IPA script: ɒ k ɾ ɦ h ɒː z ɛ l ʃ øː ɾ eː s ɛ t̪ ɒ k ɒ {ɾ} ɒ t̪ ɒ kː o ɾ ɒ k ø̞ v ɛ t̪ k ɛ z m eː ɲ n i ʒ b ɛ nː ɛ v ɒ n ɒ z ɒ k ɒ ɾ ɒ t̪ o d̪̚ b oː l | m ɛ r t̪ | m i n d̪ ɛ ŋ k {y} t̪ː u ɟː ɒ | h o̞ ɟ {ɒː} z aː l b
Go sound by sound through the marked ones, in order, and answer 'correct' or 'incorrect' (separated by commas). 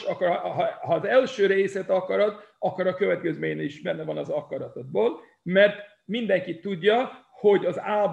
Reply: correct, incorrect, incorrect